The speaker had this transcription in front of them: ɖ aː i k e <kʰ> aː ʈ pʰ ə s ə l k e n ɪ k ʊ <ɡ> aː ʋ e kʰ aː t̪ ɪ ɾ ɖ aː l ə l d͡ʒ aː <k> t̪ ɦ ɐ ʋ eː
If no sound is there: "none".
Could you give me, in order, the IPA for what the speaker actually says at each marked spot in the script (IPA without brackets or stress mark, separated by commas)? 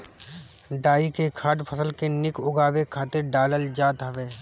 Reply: kʰ, ɡ, none